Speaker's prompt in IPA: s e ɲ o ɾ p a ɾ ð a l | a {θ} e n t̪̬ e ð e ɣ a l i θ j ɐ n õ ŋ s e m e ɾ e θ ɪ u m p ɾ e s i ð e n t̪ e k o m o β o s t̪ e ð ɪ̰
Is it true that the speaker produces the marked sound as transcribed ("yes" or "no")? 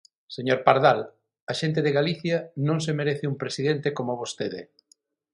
no